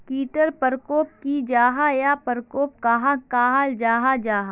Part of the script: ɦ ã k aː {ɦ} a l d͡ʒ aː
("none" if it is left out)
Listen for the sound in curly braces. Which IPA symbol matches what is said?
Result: ɦ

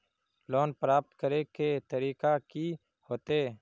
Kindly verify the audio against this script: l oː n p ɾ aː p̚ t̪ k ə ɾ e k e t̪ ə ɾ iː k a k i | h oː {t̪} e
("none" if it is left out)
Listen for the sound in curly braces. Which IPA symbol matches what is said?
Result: t̪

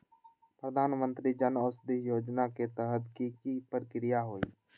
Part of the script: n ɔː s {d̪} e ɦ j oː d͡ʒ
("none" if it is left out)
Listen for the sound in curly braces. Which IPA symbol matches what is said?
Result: d̪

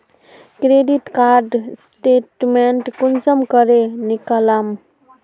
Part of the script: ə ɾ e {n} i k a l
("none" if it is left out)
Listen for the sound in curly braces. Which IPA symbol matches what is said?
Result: n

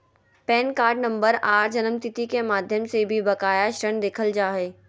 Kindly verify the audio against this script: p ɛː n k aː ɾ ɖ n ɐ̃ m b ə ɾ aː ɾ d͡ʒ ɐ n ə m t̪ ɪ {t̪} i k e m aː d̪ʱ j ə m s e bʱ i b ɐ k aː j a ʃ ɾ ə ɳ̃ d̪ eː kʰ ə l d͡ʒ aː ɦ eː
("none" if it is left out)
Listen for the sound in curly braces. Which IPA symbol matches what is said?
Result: t̪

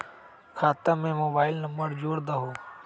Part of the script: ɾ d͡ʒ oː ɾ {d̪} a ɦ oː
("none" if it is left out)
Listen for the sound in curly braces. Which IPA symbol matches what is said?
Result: d̪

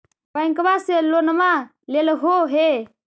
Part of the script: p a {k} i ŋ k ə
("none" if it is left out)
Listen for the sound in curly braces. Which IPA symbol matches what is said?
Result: none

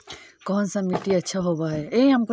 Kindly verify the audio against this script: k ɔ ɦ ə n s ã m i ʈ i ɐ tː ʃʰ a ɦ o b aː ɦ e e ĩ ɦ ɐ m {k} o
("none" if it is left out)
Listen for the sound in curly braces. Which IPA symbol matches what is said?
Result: k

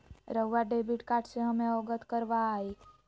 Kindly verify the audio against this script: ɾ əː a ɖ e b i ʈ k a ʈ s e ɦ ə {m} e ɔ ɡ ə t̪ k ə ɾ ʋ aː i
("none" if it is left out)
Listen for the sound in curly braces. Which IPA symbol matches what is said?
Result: m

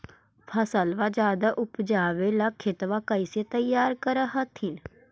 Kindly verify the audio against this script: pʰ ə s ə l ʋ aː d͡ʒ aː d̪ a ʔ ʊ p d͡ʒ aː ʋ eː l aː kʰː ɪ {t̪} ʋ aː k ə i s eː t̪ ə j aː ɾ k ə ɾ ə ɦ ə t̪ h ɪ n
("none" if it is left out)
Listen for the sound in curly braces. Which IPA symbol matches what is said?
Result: t̪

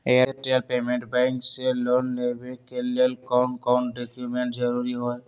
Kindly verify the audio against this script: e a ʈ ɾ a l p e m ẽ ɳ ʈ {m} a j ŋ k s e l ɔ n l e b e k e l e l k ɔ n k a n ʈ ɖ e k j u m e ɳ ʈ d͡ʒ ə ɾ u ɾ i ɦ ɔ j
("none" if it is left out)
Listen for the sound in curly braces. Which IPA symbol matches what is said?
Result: b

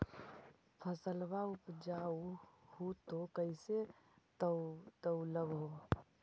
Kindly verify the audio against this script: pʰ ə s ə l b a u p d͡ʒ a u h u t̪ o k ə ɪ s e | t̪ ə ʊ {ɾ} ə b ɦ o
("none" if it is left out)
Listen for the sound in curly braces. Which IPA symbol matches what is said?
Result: l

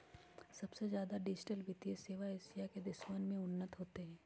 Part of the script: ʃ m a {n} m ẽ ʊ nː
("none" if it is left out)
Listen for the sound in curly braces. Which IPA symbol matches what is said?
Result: n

